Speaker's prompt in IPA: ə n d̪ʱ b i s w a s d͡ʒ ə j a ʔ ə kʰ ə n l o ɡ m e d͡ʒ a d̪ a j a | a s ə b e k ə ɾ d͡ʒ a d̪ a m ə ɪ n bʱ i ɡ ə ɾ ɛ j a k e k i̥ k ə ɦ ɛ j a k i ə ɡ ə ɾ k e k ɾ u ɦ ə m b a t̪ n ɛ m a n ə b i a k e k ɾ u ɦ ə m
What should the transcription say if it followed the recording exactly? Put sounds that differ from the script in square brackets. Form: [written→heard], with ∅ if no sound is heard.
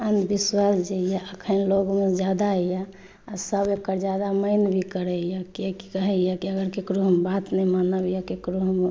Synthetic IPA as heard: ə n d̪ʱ b i s w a s d͡ʒ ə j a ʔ ə kʰ ə n l o ɡ m e d͡ʒ a d̪ a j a | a s ə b e k ə ɾ d͡ʒ a d̪ a m ə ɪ n bʱ i [ɡ→k] ə ɾ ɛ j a k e k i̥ k ə ɦ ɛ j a k i ə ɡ ə ɾ k e k ɾ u ɦ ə m b a t̪ n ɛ m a n ə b [i→j] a k e k ɾ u ɦ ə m